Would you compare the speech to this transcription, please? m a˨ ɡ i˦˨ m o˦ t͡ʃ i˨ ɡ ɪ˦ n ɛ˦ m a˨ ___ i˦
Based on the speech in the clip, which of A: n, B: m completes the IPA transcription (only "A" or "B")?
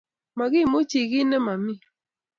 B